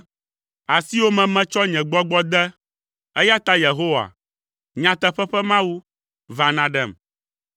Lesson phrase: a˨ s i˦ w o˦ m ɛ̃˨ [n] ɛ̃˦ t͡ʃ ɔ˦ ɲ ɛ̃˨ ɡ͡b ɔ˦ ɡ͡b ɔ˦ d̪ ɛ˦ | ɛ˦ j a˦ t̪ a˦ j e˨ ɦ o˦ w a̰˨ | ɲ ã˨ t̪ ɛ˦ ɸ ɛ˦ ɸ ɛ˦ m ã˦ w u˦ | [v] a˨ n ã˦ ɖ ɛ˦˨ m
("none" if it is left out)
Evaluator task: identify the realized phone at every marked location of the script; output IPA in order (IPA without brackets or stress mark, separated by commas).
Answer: m, v